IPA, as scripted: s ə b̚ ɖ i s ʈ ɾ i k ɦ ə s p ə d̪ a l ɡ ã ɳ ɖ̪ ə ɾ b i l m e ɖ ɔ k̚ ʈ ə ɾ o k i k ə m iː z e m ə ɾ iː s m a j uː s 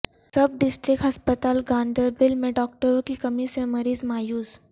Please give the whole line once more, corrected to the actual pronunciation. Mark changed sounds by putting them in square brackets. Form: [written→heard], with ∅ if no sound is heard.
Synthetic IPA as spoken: s ə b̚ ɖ i s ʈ ɾ i k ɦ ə s p ə [d̪→t̪] a l ɡ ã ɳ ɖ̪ ə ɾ b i l m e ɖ ɔ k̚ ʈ ə ɾ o k i k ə m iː [z→s] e m ə ɾ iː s m a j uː s